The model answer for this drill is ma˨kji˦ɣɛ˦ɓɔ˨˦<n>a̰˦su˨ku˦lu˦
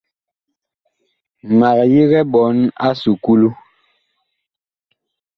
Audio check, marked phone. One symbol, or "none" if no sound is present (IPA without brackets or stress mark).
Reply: n